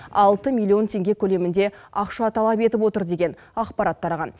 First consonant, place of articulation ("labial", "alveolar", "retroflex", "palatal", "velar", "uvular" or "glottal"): alveolar